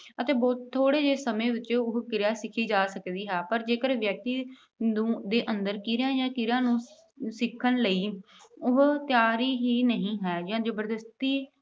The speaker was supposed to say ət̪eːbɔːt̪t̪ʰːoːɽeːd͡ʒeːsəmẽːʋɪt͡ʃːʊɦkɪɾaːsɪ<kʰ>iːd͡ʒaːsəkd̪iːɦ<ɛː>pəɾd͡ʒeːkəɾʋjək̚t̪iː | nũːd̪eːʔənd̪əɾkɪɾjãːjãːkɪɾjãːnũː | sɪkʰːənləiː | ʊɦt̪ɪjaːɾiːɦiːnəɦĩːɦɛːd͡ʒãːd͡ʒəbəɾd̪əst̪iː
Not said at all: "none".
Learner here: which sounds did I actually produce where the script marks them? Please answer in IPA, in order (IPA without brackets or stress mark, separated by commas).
kʰ, ɛː